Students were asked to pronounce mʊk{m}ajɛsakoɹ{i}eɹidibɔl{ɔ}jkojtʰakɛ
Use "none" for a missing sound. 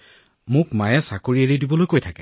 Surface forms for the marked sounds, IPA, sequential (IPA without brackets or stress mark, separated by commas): m, i, o